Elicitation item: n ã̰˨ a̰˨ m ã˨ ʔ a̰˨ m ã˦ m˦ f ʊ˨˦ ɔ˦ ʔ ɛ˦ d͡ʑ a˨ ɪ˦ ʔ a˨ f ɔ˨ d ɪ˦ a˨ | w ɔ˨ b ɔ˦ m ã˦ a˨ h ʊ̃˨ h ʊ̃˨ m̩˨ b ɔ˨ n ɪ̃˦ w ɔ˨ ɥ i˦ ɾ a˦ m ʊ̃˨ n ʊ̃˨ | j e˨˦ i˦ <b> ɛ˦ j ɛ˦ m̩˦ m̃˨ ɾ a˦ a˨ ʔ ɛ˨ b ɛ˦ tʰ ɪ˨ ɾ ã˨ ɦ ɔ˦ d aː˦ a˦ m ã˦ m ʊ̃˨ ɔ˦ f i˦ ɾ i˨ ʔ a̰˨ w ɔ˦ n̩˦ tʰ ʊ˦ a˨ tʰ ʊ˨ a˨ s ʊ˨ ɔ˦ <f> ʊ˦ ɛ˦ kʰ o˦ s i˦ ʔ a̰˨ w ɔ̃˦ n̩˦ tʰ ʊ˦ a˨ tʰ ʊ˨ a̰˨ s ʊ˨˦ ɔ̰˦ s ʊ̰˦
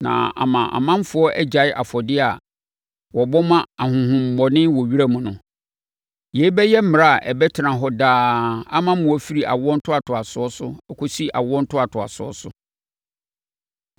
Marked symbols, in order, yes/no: yes, no

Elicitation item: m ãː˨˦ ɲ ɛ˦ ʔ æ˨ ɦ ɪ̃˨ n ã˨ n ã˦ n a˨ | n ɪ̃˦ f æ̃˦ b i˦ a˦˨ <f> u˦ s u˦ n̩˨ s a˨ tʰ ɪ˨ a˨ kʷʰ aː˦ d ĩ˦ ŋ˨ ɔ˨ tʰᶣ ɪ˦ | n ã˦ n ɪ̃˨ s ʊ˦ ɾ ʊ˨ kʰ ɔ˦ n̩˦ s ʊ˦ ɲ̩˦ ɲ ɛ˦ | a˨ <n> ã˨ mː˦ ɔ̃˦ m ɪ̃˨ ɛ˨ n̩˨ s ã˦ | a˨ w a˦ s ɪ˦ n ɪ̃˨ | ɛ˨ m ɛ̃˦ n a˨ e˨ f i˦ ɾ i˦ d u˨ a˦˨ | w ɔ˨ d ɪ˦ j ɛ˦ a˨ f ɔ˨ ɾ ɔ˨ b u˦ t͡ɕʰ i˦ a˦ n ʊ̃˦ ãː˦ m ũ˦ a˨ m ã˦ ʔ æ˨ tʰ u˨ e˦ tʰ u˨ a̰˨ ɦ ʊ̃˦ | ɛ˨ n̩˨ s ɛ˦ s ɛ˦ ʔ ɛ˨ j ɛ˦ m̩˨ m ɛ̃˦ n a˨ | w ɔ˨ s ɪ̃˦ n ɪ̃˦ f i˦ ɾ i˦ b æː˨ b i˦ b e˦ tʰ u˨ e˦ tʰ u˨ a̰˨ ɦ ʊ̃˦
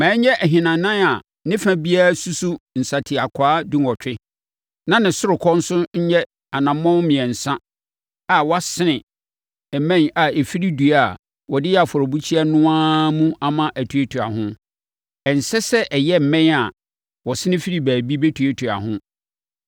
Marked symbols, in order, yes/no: no, yes

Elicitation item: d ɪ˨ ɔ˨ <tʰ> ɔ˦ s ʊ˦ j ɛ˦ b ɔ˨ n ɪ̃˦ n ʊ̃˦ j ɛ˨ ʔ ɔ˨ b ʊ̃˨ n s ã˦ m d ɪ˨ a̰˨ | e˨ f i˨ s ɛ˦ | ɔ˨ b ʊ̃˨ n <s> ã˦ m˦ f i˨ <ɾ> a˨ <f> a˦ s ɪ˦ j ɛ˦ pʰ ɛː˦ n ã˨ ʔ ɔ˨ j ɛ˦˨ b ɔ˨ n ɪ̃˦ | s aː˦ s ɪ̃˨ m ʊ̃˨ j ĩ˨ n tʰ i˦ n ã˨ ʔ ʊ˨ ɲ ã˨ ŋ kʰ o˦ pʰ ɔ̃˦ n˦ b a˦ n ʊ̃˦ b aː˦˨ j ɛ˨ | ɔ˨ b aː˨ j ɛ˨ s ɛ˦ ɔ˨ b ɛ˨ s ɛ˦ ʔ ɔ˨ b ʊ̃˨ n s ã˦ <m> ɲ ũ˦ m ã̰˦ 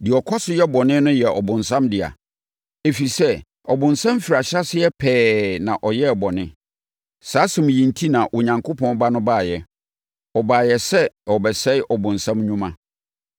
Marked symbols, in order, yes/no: no, yes, yes, no, yes

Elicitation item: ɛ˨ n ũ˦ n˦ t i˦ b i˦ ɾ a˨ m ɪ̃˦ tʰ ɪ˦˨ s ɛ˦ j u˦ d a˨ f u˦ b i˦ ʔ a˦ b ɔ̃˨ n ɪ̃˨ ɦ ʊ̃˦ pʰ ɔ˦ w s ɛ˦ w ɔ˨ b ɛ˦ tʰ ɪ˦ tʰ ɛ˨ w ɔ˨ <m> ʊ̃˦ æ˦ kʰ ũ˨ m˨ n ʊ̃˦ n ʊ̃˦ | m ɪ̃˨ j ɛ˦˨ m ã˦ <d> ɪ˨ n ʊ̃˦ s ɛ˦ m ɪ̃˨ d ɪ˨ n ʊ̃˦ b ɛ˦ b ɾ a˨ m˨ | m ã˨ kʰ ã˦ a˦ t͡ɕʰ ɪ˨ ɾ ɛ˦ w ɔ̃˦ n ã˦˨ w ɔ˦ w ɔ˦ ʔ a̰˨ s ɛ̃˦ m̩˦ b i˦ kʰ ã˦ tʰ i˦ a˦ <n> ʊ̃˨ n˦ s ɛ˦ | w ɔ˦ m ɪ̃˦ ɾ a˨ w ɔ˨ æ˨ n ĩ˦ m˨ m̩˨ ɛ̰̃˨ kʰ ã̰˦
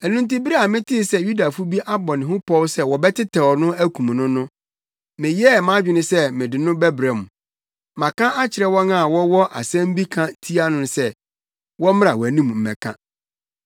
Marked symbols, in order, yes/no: no, no, yes

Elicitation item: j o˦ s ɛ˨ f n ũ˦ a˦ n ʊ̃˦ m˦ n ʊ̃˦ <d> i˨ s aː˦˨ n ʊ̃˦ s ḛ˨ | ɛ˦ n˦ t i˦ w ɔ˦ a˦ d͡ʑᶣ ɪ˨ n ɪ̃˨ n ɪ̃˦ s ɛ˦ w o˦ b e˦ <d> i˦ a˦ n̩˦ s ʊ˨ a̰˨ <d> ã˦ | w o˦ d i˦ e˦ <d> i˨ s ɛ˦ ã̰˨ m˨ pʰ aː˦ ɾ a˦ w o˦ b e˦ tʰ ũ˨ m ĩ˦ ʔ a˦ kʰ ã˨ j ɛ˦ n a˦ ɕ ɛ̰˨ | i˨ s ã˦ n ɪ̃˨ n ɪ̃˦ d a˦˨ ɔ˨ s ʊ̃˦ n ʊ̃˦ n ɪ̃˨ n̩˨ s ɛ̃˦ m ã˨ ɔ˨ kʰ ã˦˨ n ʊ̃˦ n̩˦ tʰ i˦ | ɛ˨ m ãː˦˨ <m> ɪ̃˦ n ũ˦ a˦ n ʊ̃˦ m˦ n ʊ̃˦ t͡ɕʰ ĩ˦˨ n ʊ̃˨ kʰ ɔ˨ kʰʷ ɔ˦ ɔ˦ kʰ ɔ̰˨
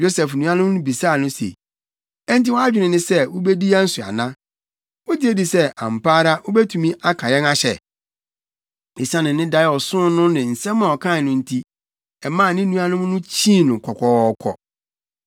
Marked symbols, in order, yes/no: no, yes, no, yes, no

